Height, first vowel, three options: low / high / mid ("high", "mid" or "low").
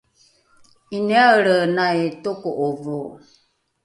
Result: high